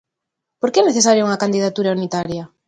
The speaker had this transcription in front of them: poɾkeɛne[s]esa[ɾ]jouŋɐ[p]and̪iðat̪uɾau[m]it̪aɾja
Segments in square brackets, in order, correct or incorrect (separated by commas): incorrect, correct, incorrect, incorrect